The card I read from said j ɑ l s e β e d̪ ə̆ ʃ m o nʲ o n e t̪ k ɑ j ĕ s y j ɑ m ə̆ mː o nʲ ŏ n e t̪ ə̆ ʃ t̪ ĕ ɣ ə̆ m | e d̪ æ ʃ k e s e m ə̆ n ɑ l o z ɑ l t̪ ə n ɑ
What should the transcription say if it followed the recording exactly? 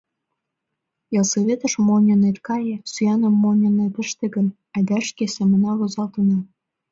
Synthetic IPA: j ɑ l s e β e t̪ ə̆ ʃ m o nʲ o n e t̪ k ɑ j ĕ s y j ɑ n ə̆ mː o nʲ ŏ n e t̪ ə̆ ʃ t̪ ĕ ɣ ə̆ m | æ d̪ æ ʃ k e s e m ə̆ n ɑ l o z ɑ l t̪ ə n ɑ